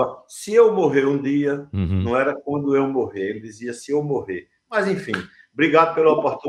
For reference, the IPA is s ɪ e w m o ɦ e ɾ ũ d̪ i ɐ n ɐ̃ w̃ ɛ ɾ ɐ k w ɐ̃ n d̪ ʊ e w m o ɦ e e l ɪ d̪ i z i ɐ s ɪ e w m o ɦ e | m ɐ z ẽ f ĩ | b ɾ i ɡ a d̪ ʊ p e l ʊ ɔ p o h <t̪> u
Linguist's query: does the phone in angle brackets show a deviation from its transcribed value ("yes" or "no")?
no